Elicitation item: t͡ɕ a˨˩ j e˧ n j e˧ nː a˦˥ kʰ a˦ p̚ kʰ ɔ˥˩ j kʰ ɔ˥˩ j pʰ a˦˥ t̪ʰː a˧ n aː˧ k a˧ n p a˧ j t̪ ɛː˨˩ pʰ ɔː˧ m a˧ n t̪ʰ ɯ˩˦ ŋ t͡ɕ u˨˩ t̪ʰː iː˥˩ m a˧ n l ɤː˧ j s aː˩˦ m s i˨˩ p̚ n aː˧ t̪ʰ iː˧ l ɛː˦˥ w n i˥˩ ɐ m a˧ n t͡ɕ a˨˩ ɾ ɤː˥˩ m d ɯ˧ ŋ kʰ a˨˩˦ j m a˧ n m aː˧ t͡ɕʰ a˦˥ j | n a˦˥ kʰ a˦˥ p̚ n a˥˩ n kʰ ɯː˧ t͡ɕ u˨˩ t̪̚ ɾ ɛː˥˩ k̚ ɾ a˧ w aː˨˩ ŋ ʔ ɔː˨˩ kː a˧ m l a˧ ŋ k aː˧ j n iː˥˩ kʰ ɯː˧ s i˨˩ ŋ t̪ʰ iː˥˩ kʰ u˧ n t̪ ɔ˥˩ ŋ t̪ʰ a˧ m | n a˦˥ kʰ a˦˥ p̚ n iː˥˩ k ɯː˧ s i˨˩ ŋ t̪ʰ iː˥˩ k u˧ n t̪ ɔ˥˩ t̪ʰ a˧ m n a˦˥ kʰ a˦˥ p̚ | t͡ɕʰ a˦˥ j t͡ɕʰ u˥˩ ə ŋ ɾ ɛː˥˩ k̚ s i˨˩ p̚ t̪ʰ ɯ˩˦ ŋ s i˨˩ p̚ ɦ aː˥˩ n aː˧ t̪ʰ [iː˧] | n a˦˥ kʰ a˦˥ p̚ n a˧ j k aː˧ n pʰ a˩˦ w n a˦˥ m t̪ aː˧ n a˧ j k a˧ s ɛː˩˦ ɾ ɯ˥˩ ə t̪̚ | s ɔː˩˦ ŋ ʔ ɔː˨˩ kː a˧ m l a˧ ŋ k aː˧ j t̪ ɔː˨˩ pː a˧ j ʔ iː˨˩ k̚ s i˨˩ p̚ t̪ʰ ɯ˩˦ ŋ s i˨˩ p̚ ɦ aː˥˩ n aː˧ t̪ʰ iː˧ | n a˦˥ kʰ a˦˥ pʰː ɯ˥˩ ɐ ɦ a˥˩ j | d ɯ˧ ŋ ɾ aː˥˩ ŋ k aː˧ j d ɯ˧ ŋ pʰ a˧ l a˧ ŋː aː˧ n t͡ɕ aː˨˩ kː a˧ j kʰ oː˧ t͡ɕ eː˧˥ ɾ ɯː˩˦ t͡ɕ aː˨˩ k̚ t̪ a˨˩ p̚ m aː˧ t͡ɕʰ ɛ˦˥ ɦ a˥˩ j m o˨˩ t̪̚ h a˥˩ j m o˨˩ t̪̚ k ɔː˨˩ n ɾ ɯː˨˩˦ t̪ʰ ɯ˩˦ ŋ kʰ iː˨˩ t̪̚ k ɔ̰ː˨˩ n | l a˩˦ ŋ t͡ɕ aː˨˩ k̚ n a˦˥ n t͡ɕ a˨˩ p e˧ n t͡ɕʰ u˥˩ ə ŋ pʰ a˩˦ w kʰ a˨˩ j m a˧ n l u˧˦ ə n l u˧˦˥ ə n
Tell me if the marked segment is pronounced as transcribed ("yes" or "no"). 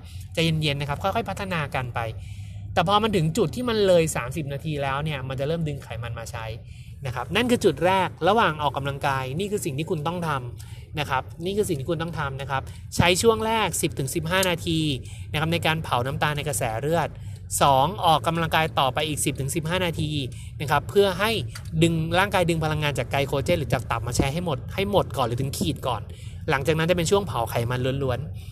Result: yes